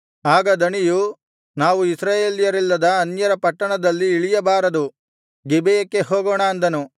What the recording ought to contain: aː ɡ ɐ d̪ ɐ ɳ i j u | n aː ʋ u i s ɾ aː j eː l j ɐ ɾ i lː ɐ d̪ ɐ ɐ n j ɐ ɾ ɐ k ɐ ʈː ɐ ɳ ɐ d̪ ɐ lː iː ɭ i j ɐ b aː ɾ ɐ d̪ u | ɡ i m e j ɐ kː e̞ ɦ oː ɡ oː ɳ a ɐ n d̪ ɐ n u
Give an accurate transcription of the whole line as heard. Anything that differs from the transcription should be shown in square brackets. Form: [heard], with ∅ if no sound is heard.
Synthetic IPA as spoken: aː ɡ ɐ d̪ ɐ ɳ i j u | n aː ʋ u i s ɾ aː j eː l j ɐ ɾ i lː ɐ d̪ ɐ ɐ n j ɐ ɾ ɐ [p] ɐ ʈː ɐ ɳ ɐ d̪ ɐ lː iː ɭ i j ɐ b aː ɾ ɐ d̪ u | ɡ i [b] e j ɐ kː e̞ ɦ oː ɡ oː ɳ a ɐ n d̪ ɐ n u